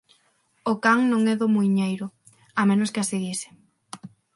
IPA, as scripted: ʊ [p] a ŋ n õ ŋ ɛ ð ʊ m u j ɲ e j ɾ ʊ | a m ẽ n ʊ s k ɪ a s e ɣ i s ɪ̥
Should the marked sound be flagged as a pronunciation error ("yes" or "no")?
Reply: yes